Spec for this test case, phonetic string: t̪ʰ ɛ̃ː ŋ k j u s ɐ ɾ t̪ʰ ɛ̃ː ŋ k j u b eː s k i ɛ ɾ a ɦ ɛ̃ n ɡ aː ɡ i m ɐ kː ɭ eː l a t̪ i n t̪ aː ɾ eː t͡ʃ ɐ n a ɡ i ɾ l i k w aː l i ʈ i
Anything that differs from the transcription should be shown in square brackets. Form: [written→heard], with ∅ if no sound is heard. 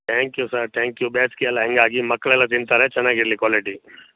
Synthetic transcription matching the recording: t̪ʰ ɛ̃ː ŋ k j u s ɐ ɾ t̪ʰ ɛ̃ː ŋ k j u b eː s k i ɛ [ɾ→l] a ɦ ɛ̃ [n→ŋ] ɡ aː ɡ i m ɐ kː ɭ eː l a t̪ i n t̪ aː ɾ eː t͡ʃ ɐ n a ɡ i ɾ l i k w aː l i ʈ i